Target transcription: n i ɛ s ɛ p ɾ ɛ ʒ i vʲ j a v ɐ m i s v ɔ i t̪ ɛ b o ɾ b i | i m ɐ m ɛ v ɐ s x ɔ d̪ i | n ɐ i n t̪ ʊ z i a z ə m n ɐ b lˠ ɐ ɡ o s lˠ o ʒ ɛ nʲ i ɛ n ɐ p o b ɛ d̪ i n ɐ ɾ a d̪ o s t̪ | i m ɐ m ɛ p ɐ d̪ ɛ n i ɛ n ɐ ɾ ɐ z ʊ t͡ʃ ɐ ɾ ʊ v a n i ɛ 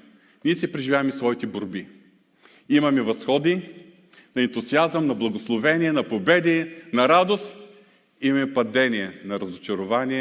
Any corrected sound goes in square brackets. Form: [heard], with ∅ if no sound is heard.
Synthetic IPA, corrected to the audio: n i ɛ s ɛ p ɾ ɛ ʒ i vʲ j a v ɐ m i s v ɔ i t̪ ɛ b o ɾ b i | i m ɐ m ɛ v ɐ s x ɔ d̪ i | n ɐ [ɛ] n t̪ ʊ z i a z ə m n ɐ b lˠ ɐ ɡ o s lˠ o [v] ɛ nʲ i ɛ n ɐ p o b ɛ d̪ i n ɐ ɾ a d̪ o s t̪ | i m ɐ m ɛ p ɐ d̪ ɛ n i ɛ n ɐ ɾ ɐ z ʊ t͡ʃ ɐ ɾ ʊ v a n i ɛ